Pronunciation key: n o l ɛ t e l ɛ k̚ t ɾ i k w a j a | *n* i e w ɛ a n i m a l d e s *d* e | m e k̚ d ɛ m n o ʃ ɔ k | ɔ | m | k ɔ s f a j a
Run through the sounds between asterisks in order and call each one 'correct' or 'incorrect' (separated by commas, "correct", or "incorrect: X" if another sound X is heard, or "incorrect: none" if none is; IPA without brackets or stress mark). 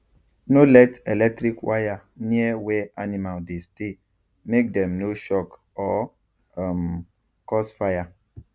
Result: correct, incorrect: t